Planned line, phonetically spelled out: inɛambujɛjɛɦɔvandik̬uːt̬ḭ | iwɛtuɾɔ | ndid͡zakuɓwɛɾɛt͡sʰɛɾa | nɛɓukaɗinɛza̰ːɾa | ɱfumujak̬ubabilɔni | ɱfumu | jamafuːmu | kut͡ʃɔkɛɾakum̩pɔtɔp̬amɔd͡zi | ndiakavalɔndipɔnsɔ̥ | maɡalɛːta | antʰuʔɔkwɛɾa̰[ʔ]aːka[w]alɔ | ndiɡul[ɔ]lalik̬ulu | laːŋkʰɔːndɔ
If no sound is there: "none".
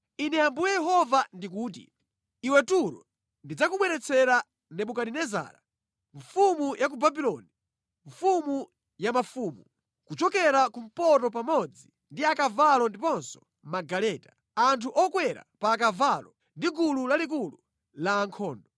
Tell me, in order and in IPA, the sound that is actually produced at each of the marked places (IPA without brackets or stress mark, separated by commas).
p, v, u